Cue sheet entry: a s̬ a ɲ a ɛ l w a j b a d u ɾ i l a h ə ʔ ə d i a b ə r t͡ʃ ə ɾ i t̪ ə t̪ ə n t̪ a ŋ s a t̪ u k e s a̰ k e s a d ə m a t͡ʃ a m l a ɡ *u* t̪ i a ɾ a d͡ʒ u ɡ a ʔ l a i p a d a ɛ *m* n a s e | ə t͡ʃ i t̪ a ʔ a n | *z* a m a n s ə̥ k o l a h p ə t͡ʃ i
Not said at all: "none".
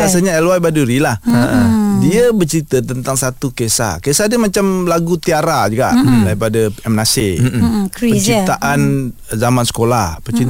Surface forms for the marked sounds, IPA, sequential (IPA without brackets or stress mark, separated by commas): u, m, z